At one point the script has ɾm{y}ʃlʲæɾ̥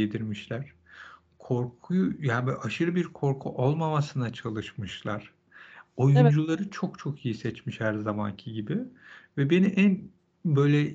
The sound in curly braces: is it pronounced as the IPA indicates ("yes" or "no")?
no